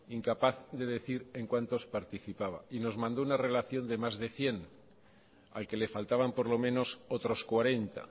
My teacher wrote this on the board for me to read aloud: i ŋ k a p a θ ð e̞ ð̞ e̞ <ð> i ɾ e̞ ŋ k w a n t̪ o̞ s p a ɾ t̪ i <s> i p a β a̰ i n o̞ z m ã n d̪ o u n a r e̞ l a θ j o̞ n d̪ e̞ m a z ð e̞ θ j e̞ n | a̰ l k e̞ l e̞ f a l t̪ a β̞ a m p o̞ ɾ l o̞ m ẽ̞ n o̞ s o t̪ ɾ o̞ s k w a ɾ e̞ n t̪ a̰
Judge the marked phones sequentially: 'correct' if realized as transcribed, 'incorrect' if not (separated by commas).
incorrect, incorrect